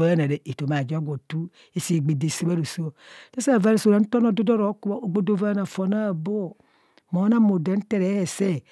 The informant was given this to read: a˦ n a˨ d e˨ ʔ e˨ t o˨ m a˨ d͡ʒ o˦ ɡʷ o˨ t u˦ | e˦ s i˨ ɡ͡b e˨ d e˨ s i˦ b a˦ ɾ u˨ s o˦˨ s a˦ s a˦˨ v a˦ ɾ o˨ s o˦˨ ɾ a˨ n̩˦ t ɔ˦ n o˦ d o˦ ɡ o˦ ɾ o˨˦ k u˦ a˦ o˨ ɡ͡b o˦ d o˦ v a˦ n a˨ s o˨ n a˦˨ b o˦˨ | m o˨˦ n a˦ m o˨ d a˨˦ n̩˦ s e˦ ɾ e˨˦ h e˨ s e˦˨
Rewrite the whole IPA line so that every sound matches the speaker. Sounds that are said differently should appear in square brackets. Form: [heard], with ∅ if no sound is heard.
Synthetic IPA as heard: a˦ n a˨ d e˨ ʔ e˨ t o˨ m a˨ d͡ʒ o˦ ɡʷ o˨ t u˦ | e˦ s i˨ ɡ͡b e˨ d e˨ s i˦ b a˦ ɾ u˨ s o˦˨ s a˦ s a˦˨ v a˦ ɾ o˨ s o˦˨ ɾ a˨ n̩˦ t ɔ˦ n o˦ d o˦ [d] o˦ ɾ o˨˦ k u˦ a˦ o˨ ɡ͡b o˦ d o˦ v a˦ n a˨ [f] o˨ n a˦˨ b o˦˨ | m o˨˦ n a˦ m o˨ d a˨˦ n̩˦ [t] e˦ ɾ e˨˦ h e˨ s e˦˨